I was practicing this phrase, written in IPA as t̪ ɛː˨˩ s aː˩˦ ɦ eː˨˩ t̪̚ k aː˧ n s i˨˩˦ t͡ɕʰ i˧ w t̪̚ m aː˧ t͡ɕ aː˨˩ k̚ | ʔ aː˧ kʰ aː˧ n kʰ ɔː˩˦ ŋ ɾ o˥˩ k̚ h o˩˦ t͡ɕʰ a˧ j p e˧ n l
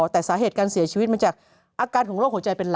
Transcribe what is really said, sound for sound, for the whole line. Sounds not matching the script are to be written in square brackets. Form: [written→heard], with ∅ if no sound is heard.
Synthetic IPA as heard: t̪ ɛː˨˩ s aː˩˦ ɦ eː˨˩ t̪̚ k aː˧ n s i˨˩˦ t͡ɕʰ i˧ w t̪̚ m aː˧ t͡ɕ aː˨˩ k̚ | ʔ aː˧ [kʰ→k] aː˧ n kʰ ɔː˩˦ ŋ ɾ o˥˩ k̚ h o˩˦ [t͡ɕʰ→t͡ɕ] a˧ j p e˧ n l